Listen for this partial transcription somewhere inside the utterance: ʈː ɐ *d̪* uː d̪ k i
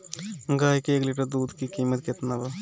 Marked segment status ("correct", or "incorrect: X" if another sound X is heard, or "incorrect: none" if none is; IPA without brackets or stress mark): correct